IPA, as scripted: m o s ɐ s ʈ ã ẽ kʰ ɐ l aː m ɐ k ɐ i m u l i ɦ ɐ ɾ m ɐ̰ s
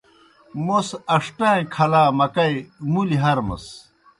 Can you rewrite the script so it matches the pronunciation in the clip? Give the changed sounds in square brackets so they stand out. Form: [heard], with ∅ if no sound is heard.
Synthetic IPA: m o s ɐ [ʂ] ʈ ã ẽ kʰ ɐ l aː m ɐ k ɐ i m u l i ɦ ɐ ɾ m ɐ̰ s

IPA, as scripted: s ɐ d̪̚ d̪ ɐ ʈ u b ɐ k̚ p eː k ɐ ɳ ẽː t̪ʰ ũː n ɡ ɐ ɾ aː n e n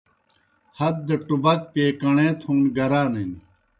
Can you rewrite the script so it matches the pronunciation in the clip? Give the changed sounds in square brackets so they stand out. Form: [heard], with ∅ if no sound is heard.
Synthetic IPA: [h] ɐ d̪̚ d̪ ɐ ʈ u b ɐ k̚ p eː k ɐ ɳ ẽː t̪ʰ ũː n ɡ ɐ ɾ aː n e n

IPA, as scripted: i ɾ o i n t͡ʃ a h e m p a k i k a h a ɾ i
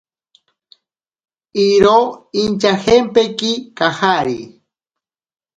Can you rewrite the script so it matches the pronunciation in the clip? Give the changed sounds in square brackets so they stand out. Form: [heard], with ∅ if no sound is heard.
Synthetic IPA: i ɾ o i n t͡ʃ a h e m p [e] k i k a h a ɾ i

